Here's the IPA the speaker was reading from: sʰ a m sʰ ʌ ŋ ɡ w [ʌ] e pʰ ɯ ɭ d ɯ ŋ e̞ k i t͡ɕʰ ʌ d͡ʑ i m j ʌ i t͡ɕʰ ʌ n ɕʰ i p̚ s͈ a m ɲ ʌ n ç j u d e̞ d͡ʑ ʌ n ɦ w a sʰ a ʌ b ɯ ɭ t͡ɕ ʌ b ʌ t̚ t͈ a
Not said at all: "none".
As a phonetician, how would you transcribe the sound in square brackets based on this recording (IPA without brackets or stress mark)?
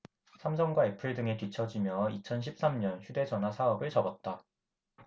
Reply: a